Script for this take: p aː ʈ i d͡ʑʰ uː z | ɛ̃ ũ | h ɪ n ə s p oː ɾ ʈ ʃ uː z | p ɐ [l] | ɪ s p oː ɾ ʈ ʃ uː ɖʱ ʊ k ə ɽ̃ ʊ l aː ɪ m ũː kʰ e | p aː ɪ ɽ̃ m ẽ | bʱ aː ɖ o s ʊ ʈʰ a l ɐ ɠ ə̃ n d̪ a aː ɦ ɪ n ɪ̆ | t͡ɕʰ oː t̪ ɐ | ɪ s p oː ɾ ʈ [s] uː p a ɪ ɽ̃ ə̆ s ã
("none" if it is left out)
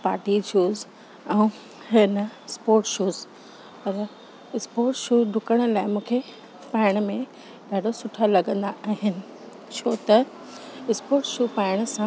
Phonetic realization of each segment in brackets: ɾ, ʃ

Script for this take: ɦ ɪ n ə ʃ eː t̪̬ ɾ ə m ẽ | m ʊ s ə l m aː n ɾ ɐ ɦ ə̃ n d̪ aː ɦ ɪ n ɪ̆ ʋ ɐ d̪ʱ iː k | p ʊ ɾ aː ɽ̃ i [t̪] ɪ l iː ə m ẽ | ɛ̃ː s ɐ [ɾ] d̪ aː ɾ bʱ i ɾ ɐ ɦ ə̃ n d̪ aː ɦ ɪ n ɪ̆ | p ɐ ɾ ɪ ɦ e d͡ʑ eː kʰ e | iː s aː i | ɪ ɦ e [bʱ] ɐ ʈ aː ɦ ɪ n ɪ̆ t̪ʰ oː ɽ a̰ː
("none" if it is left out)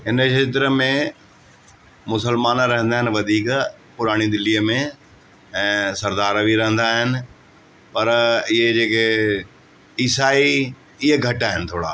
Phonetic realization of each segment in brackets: d̪, ɾ, ɡʱ

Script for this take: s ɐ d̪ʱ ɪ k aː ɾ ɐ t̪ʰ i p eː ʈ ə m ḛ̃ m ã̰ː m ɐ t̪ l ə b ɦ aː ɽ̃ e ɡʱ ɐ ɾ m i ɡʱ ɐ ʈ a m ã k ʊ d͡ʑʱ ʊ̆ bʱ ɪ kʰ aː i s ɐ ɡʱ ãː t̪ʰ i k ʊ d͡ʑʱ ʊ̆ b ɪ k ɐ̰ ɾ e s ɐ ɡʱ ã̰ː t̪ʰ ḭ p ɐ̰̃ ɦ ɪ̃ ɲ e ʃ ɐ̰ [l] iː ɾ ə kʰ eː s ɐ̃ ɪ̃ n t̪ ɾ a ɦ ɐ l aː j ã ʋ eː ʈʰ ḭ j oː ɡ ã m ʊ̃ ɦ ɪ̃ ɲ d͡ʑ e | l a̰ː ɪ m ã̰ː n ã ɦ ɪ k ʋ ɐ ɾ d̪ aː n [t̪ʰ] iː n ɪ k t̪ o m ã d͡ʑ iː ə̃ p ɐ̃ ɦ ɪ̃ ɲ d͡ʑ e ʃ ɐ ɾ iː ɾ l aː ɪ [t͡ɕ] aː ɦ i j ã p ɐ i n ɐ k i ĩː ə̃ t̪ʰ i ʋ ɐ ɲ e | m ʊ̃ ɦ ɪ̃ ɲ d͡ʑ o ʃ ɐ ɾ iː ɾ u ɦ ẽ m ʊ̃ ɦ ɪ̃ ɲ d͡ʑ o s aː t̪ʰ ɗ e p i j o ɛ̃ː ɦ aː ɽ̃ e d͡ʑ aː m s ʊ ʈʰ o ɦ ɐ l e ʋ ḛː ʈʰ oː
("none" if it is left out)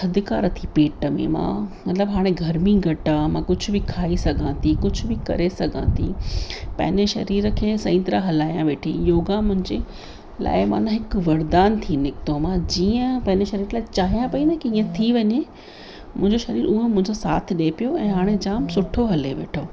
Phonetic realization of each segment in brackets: ɾ, t̪ʰ, t͡ɕ

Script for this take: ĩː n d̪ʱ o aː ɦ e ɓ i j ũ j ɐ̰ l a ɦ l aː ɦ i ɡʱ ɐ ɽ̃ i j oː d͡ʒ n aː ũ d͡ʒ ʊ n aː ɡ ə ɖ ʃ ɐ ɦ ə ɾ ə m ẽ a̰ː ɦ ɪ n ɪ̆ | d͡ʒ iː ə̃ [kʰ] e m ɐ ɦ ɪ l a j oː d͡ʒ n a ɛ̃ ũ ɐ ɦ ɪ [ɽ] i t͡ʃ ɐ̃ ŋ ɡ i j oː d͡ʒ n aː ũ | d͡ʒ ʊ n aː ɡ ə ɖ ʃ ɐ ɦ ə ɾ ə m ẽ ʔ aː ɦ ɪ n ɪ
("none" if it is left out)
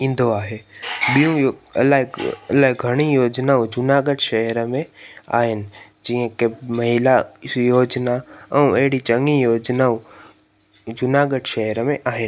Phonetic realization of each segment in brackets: k, ɽ

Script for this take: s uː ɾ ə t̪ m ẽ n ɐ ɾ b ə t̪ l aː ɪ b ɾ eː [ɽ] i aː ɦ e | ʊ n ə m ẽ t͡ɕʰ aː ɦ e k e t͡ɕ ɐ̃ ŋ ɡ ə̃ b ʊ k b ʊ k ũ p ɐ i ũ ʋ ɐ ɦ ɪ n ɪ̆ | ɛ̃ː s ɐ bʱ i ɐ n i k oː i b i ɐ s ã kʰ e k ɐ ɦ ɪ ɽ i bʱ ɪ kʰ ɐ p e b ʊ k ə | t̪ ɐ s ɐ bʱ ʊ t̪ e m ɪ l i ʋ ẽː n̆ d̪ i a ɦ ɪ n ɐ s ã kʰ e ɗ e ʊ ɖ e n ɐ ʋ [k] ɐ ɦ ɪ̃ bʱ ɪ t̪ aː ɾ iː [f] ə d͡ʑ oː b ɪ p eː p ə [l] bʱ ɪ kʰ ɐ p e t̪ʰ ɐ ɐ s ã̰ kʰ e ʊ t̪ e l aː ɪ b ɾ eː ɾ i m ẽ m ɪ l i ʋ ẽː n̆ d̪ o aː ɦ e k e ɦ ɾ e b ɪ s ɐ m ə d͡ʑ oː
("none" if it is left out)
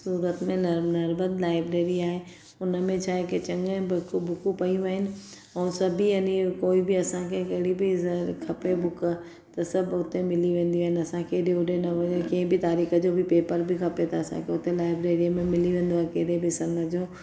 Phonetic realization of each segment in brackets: ɾ, k, x, ɾ

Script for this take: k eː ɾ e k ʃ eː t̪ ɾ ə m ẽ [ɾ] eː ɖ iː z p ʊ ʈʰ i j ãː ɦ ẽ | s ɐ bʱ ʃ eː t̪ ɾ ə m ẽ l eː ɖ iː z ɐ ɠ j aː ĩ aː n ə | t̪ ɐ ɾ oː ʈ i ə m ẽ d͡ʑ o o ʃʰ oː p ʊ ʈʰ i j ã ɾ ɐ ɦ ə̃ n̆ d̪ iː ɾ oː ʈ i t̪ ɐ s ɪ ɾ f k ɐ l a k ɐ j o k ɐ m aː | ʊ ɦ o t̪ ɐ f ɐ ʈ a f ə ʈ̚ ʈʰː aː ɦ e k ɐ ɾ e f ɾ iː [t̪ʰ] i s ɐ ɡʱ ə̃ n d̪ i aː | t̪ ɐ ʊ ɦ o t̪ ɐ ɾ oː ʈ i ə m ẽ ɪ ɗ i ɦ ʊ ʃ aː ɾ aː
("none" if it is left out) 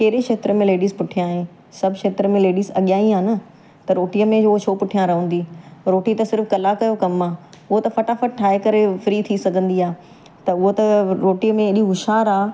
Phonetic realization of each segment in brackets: l, t̪ʰ

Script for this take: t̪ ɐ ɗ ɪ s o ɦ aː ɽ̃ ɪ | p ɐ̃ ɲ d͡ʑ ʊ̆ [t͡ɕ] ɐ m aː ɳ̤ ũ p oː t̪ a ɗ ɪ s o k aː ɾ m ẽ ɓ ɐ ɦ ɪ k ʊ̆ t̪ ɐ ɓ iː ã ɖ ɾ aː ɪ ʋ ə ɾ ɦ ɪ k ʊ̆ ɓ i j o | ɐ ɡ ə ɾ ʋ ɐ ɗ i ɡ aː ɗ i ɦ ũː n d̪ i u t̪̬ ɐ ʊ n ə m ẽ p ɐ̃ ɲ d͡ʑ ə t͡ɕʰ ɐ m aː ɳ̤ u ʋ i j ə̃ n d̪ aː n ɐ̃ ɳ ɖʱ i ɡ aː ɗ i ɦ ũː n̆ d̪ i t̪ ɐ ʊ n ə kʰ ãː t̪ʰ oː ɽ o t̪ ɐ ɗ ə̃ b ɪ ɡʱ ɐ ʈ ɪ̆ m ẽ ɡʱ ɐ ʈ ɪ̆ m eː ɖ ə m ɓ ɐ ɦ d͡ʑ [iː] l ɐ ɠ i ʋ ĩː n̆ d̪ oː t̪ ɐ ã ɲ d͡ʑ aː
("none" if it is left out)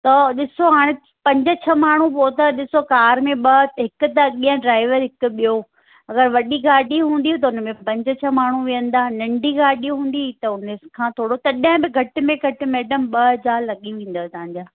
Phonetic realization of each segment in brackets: t͡ɕʰ, aː

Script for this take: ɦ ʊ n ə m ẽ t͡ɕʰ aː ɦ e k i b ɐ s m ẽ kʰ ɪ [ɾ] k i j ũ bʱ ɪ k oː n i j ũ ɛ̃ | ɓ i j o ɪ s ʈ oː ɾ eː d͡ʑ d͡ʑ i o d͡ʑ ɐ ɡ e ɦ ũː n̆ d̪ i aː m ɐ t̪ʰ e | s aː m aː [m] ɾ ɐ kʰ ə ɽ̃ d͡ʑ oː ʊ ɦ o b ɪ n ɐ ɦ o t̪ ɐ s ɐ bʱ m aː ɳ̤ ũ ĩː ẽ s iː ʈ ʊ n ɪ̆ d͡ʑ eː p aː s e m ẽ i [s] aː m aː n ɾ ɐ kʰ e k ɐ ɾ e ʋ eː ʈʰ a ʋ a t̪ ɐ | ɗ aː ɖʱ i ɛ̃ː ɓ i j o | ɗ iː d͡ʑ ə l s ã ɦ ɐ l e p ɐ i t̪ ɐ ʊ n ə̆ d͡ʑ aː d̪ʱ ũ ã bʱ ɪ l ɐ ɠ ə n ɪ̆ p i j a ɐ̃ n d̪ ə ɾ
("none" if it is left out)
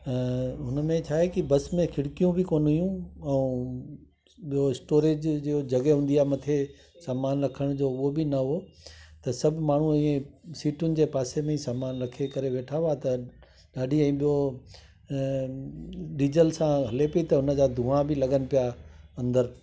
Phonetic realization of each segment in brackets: ɽ, n, s

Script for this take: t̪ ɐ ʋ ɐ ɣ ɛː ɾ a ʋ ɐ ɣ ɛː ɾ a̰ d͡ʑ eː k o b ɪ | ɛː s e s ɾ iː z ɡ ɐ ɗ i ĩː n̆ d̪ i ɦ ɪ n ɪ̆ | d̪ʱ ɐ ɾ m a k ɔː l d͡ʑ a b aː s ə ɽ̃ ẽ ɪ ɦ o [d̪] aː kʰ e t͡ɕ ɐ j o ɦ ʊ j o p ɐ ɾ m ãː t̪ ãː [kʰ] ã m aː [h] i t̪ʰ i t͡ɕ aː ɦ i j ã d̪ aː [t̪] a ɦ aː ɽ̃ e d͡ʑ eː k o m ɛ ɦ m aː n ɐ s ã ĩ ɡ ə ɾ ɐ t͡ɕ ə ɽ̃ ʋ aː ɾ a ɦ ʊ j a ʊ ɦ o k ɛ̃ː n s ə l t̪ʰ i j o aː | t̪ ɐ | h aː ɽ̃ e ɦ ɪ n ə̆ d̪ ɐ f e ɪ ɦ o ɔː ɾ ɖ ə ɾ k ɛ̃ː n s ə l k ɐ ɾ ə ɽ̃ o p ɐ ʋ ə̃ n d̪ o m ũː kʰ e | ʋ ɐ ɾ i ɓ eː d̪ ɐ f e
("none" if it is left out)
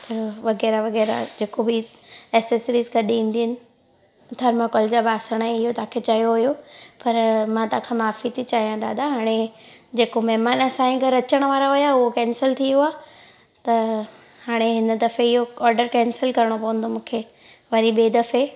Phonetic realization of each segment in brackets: t̪, kʰ, f, d̪

